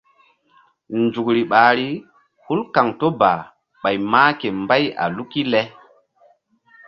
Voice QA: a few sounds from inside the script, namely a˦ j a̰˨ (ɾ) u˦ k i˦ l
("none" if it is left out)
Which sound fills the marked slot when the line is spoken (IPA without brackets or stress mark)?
l